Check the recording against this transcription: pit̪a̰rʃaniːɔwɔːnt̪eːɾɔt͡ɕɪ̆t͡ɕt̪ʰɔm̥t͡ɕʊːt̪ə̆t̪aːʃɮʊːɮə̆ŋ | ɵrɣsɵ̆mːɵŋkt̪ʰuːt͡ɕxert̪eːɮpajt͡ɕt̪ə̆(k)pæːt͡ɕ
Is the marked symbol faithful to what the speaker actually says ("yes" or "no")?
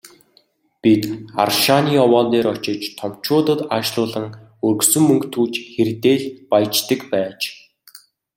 yes